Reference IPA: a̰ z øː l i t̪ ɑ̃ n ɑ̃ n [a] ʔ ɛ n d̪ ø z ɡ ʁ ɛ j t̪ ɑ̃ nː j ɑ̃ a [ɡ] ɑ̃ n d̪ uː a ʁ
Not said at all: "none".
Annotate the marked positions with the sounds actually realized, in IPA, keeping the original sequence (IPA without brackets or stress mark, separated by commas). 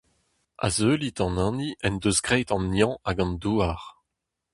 i, ɡ